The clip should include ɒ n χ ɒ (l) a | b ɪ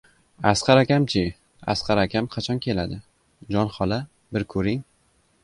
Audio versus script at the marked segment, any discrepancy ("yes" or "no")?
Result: no